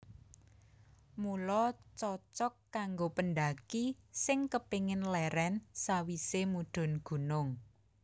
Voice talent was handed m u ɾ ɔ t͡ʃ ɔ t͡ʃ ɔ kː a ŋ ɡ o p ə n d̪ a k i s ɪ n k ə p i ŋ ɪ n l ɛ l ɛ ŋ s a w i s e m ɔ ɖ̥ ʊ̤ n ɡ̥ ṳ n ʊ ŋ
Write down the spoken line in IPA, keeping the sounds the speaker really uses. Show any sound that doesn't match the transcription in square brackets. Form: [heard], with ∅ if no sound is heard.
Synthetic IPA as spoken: m u [l] ɔ t͡ʃ ɔ t͡ʃ ɔ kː a ŋ ɡ o p ə n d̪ a k i s ɪ [ŋ] k ə p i ŋ ɪ n l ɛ [ɾ] ɛ [n] s a w i s e m [u] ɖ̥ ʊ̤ n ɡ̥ ṳ n ʊ ŋ